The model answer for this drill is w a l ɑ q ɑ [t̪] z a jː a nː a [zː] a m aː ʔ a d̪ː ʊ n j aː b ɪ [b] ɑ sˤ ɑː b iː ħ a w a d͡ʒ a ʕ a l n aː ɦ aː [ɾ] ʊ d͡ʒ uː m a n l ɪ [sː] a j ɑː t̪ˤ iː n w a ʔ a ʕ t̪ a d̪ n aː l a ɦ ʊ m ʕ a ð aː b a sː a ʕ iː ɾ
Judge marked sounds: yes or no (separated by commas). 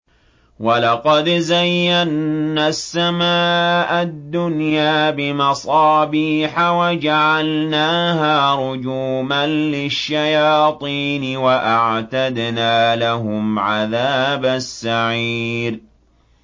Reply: no, no, no, yes, no